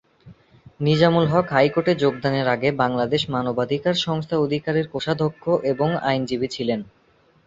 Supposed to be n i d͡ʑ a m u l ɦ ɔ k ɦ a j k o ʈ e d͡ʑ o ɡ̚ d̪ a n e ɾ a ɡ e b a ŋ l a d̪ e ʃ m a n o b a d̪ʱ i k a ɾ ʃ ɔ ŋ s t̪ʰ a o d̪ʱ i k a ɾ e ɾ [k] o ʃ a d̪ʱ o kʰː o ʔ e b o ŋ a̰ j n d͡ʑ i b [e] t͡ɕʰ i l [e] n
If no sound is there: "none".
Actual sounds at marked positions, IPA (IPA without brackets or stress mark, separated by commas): k, i, e